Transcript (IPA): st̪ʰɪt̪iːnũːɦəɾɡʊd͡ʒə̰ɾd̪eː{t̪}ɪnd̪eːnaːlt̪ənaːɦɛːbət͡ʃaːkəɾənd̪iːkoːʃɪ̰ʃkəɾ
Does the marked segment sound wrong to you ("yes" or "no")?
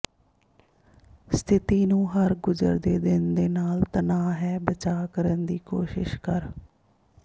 yes